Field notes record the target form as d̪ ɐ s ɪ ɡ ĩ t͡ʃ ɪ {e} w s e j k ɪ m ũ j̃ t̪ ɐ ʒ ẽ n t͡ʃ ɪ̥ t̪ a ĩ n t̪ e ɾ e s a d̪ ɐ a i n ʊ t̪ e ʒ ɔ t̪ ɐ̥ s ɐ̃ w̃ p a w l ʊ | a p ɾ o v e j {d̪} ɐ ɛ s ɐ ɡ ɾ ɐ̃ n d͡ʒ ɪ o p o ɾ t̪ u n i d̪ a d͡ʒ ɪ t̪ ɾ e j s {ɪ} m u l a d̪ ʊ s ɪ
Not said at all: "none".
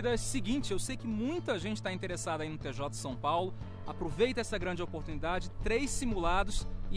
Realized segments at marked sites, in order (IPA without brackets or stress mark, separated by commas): e, t̪, i